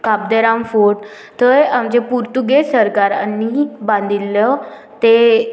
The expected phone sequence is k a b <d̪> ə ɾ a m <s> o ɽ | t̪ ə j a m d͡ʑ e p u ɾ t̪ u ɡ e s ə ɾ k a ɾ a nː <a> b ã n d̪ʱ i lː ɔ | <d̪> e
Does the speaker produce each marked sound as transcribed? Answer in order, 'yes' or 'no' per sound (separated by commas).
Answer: yes, no, no, no